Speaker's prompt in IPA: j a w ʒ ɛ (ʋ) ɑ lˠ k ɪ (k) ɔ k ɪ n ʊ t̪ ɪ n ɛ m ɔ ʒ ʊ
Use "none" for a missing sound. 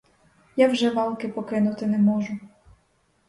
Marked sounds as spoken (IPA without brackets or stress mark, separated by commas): ʋ, p